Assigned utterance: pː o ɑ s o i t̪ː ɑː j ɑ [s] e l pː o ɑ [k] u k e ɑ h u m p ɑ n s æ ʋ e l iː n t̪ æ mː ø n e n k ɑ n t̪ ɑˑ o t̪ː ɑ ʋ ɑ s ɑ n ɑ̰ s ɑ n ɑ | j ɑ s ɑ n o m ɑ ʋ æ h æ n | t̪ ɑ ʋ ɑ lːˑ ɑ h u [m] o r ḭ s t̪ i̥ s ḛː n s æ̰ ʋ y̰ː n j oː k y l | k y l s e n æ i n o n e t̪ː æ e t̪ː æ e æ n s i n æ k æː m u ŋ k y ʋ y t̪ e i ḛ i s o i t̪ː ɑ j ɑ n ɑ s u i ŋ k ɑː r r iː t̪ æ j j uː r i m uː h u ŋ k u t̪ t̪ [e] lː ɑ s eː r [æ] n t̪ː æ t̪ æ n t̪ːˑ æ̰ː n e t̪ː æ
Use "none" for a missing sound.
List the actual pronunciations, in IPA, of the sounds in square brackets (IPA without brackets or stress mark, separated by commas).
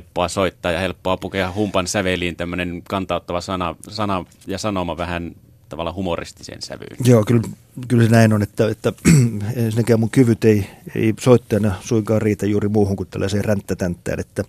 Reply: h, p, m, æ, æ